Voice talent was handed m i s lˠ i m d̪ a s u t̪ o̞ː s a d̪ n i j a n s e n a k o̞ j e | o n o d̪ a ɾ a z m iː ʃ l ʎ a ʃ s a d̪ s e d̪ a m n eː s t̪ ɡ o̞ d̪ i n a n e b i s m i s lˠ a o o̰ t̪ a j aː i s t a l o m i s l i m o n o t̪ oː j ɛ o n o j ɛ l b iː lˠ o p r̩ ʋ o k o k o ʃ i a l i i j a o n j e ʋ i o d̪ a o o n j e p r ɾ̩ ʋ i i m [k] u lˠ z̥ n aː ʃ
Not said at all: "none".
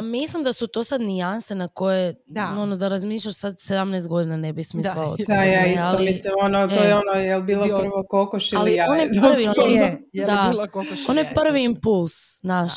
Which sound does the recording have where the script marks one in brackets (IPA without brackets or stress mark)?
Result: p